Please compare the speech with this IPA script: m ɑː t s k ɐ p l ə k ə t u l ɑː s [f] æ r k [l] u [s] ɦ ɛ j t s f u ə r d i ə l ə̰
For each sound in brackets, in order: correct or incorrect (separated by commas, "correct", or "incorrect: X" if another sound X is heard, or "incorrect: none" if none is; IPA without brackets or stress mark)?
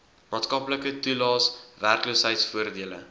incorrect: v, correct, correct